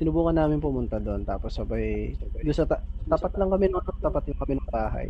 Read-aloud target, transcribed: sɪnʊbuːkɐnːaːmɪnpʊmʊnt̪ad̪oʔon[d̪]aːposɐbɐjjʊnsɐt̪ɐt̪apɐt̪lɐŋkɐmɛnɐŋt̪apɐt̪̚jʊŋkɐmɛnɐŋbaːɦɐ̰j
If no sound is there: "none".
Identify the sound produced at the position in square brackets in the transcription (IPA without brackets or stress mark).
t̪